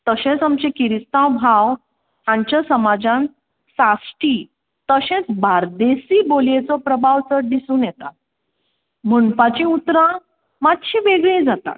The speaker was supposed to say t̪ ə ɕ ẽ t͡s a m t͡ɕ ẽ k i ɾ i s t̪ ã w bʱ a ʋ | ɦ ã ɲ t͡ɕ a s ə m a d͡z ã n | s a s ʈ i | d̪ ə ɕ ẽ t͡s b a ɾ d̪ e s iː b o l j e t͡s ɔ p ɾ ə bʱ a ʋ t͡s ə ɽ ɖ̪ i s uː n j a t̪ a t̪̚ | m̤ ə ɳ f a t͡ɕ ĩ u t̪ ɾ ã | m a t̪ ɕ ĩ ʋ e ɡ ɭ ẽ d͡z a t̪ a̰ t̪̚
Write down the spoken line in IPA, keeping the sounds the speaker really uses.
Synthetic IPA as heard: t̪ ə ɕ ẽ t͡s a m t͡ɕ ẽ k i ɾ i s t̪ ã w bʱ a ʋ | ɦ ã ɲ t͡ɕ a s ə m a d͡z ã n | s a s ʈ i | t̪ ə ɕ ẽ t͡s b a ɾ d̪ e s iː b o l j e t͡s ɔ p ɾ ə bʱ a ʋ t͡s ə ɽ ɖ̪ i s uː n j ɛ t̪ a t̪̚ | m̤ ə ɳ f a t͡ɕ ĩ u t̪ ɾ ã | m a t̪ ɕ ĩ ʋ e ɡ ɭ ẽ d͡z a t̪ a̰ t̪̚